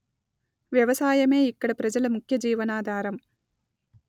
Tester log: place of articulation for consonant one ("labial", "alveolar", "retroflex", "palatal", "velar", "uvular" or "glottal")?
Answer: labial